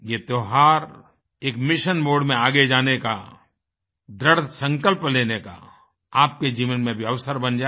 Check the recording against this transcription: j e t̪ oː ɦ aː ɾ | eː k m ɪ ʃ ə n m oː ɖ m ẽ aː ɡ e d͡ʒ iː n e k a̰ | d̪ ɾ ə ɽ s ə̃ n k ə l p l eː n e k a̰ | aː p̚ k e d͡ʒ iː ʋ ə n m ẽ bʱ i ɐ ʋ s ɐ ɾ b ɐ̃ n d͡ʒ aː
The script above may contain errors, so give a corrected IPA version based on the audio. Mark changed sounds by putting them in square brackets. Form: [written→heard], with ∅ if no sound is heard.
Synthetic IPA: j e t̪ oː ɦ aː ɾ | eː k m ɪ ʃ ə n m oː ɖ m ẽ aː ɡ e d͡ʒ [iː→aː] n e k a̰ | d̪ ɾ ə ɽ s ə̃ [n→ŋ] k ə l p l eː n e k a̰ | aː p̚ k e d͡ʒ iː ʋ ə n m ẽ bʱ i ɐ ʋ s [ɐ→ə] ɾ b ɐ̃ n d͡ʒ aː